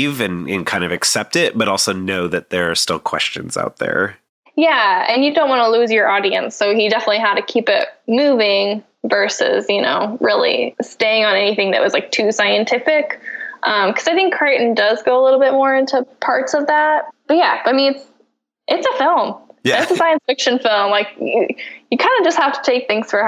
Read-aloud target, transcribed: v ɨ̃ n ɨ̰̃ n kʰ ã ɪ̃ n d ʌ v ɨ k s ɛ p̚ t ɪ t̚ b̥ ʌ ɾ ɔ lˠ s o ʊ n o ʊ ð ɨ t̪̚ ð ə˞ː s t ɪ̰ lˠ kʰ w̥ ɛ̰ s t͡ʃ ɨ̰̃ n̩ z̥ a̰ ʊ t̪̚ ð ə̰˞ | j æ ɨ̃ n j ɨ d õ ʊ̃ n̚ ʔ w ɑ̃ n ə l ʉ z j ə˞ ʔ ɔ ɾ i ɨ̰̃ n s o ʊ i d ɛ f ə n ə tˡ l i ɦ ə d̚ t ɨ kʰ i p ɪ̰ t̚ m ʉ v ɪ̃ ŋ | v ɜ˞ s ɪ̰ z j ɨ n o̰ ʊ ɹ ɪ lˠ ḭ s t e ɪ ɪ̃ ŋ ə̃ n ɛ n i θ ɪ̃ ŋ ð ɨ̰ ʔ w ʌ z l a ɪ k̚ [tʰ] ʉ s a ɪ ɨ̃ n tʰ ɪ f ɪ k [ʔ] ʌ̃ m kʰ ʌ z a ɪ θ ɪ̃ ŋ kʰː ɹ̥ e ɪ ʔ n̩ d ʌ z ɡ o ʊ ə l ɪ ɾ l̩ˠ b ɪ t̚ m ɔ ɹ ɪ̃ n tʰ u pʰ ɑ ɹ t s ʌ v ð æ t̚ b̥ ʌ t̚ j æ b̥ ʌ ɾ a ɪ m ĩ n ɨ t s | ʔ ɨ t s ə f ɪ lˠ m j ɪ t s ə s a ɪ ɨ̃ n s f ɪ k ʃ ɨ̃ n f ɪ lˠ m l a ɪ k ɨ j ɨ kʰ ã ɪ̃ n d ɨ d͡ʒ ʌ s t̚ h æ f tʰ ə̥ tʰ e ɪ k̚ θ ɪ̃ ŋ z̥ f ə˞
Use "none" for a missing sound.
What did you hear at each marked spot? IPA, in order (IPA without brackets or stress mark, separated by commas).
tʰ, ʔ